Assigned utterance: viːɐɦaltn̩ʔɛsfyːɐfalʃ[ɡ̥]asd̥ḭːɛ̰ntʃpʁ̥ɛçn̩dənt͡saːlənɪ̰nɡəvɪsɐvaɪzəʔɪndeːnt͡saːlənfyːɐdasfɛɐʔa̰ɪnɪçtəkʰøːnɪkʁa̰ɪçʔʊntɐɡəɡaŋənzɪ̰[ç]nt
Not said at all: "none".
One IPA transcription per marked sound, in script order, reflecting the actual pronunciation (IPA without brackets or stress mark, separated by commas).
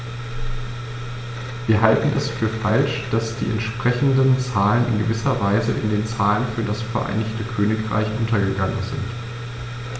d̥, none